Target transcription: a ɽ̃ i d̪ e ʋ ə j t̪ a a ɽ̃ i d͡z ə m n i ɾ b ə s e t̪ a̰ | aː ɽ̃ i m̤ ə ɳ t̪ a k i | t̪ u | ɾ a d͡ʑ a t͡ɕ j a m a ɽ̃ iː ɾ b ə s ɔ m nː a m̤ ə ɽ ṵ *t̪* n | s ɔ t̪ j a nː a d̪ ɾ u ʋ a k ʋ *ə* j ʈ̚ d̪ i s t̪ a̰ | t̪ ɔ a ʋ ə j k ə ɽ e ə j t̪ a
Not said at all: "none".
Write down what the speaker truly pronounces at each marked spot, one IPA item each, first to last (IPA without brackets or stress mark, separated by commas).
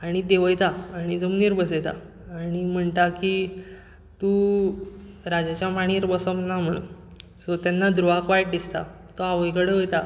none, a